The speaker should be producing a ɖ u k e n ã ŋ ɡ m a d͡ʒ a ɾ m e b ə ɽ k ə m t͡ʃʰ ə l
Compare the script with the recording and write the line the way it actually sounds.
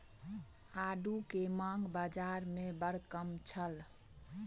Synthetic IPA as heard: a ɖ u k e m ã ŋ ɡ b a d͡ʒ a ɾ m e b ə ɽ k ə m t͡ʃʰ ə l